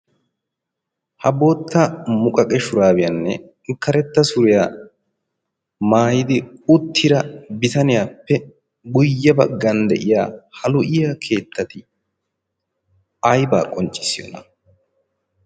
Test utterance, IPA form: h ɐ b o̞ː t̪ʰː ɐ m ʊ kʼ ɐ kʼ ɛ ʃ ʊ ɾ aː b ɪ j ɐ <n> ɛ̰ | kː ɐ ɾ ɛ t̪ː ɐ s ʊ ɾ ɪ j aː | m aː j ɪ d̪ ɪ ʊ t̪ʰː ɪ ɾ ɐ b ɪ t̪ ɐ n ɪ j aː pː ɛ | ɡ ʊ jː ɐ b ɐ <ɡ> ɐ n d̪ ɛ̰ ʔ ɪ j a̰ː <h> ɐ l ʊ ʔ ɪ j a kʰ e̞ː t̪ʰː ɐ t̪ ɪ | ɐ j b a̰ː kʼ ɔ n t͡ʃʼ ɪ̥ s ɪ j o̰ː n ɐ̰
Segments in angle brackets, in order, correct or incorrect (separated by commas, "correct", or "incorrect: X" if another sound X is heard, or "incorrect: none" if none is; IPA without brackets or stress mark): incorrect: nː, incorrect: ɡː, correct